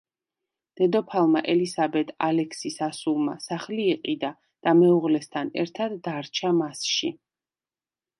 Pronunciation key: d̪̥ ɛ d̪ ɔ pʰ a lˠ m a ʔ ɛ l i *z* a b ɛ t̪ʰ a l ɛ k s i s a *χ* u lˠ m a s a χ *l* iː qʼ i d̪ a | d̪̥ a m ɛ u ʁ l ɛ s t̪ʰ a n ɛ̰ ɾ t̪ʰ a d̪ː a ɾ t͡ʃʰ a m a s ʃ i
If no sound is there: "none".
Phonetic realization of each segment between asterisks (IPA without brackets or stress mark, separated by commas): s, s, l